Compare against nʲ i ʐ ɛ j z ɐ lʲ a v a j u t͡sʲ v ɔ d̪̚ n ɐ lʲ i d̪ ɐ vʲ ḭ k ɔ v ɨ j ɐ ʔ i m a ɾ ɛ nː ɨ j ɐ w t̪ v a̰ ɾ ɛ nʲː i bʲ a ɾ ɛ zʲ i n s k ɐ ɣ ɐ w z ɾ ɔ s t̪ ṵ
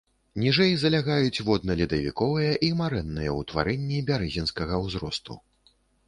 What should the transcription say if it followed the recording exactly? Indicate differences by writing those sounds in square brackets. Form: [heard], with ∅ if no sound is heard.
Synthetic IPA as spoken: nʲ i ʐ ɛ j z ɐ lʲ a [ɣ] a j u t͡sʲ v ɔ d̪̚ n ɐ lʲ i d̪ ɐ vʲ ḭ k ɔ v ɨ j ɐ ʔ i m a ɾ ɛ nː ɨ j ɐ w t̪ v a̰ ɾ ɛ nʲː i bʲ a ɾ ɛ zʲ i n s k ɐ ɣ ɐ w z ɾ ɔ s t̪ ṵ